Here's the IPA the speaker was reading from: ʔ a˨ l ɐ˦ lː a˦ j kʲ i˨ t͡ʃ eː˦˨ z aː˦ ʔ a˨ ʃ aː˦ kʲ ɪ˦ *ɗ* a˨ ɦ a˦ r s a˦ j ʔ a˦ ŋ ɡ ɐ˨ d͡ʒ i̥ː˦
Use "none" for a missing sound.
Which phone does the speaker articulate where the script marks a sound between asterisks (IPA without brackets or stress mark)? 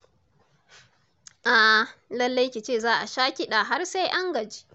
ɗ